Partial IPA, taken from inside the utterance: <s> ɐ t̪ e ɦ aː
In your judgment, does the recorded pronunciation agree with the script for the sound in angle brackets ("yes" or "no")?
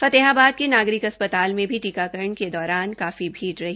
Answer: no